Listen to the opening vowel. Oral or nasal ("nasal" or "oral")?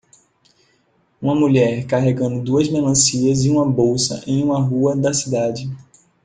nasal